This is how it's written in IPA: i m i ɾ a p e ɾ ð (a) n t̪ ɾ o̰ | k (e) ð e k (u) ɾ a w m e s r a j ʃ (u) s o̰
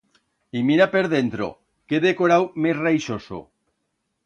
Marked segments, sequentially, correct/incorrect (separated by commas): incorrect, correct, incorrect, incorrect